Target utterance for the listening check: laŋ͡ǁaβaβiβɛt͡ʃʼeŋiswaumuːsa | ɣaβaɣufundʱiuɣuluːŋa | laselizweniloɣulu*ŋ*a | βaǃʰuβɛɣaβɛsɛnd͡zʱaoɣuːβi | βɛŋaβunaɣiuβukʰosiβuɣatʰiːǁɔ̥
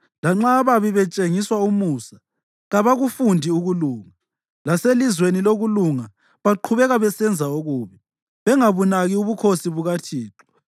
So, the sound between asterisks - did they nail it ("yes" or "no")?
yes